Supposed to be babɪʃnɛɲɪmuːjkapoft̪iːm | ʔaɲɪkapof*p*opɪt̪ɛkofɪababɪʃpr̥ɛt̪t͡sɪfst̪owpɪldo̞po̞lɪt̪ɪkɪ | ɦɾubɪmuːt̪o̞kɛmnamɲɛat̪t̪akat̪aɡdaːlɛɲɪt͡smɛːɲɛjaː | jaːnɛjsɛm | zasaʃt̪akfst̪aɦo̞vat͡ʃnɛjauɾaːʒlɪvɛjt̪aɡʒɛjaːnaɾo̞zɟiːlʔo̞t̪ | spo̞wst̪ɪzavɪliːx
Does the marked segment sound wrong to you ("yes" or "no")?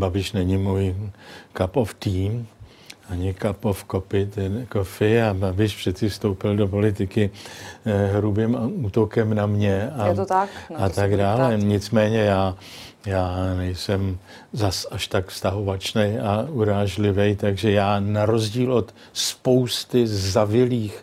yes